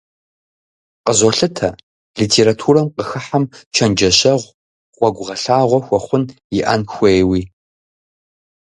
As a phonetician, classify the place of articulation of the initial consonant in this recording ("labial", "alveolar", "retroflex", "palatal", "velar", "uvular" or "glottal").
uvular